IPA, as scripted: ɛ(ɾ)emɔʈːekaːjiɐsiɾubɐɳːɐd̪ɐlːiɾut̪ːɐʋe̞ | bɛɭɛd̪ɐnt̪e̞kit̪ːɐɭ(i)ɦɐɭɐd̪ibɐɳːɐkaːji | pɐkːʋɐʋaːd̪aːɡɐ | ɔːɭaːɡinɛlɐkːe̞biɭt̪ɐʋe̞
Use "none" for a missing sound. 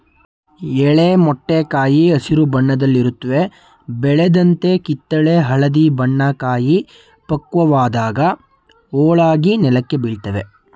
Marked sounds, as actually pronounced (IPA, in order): ɭ, e

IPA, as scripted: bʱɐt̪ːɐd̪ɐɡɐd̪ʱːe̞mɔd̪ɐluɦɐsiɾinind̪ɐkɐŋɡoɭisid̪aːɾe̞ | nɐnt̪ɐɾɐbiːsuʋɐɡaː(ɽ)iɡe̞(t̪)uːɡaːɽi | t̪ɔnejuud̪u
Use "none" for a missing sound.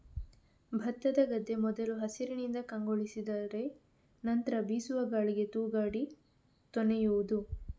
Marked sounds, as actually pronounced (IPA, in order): ɭ, t̪

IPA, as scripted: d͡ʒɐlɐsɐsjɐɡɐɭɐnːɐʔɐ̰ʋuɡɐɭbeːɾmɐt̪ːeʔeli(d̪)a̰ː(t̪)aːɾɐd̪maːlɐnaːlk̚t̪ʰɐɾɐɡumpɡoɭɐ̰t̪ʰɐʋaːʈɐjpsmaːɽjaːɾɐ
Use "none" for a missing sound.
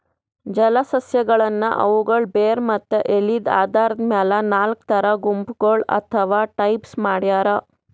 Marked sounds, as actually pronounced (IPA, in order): d̪, d̪

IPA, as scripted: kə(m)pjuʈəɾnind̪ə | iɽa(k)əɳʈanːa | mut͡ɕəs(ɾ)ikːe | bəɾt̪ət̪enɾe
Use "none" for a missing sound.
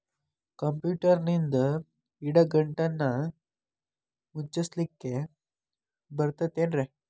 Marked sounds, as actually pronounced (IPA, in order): m, ɡ, l

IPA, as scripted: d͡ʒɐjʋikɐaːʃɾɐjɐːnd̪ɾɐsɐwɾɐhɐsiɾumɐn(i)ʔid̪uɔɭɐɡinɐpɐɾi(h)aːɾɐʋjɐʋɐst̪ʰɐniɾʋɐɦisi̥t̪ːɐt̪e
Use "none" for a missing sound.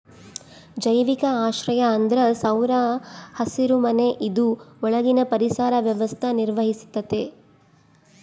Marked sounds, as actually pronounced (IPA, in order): e, s

